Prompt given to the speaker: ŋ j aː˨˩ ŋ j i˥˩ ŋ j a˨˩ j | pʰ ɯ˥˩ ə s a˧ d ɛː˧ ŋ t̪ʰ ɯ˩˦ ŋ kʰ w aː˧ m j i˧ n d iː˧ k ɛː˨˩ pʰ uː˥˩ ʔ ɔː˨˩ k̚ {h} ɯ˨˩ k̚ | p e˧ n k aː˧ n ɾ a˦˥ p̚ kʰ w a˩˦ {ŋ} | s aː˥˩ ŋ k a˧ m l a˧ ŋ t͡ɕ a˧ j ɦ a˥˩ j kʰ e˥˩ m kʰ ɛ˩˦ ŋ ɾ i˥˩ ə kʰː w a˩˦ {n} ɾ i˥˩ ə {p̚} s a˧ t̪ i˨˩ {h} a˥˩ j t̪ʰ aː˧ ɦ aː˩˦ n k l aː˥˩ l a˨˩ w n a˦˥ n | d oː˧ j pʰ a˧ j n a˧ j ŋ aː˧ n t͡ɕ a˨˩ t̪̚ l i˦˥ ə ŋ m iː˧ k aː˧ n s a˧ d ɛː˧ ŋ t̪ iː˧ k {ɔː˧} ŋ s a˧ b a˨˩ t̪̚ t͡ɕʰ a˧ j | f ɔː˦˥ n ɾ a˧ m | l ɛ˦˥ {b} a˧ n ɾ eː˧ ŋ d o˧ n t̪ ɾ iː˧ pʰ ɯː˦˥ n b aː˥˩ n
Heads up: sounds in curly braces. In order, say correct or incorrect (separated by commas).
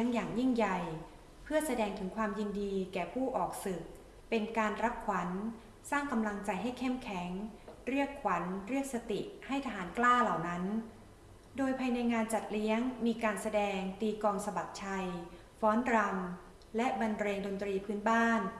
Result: incorrect, incorrect, correct, incorrect, correct, correct, correct